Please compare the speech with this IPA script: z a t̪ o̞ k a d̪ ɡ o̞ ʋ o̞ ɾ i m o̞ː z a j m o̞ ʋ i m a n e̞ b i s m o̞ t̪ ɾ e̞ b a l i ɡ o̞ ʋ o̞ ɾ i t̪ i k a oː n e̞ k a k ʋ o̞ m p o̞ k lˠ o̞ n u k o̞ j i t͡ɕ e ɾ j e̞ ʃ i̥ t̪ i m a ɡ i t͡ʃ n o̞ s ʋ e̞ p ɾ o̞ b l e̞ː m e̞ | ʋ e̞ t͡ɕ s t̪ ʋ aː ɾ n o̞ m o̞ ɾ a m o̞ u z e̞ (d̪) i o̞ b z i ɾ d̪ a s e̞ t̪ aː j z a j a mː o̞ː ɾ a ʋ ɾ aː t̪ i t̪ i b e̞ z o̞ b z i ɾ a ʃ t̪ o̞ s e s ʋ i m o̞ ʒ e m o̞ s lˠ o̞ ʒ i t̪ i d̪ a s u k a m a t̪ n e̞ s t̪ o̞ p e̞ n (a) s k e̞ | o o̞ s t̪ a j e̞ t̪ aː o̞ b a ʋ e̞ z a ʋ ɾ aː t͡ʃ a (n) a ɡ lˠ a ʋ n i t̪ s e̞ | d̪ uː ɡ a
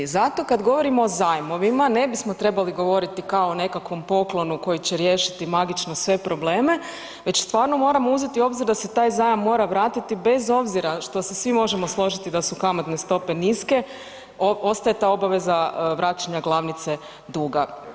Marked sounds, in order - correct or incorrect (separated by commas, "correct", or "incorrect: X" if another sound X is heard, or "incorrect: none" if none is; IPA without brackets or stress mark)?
incorrect: t̪, incorrect: i, incorrect: ɲ